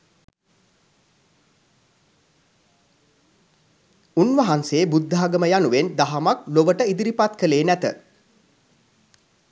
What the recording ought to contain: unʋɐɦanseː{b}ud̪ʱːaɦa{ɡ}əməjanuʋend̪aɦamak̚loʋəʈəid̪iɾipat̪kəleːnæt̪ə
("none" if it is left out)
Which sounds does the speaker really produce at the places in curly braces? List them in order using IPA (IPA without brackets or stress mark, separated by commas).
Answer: b, ɡ